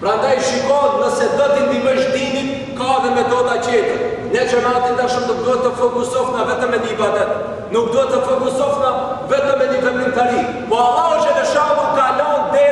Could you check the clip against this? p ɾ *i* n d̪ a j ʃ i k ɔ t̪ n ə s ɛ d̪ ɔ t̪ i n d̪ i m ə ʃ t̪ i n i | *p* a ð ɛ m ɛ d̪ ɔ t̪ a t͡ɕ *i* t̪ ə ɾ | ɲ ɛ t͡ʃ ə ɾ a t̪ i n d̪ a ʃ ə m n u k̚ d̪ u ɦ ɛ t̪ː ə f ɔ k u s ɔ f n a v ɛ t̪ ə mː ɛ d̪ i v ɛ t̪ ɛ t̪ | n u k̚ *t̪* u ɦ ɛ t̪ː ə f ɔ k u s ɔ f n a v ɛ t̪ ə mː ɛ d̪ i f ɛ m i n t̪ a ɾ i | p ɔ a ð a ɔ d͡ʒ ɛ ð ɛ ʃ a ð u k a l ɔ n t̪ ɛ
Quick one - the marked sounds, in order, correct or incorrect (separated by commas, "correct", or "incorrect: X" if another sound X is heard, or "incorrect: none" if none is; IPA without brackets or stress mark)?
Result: incorrect: a, incorrect: k, incorrect: ɛ, incorrect: d̪